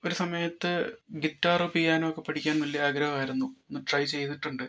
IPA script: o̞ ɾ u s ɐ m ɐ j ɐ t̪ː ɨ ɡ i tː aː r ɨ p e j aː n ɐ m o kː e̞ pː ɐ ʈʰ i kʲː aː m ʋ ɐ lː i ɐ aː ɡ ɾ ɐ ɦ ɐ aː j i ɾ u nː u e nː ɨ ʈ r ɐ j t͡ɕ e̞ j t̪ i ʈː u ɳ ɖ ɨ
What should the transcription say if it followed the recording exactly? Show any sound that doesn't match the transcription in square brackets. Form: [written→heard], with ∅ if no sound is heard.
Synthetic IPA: o̞ ɾ u s ɐ m ɐ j ɐ t̪ː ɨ ɡ i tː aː r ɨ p [e→i] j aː n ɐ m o kː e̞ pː ɐ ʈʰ i kʲː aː [m→n] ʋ ɐ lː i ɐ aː ɡ ɾ ɐ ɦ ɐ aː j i ɾ u nː u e nː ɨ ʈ r ɐ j t͡ɕ e̞ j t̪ i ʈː u ɳ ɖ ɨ

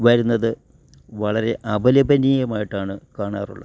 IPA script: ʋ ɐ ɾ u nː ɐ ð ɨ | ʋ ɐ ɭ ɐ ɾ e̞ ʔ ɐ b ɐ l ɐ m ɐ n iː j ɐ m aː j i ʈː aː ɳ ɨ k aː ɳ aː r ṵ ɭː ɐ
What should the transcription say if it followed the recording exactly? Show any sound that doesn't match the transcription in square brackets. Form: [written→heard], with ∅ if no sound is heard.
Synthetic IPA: ʋ ɐ ɾ u nː ɐ ð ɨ | ʋ ɐ ɭ ɐ ɾ e̞ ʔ ɐ b ɐ l ɐ [m→b] ɐ n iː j ɐ m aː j i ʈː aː ɳ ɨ k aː ɳ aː r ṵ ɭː ɐ

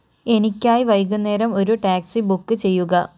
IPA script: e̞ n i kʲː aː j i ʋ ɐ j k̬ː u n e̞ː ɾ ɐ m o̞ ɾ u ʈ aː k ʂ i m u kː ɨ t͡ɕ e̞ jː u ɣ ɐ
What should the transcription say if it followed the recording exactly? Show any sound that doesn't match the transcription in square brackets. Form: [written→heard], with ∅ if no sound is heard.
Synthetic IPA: e̞ n i kʲː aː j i ʋ ɐ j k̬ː u [n→nː] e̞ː ɾ ɐ m o̞ ɾ u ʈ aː k [ʂ→s] i [m→b] u kː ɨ t͡ɕ e̞ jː u ɣ ɐ

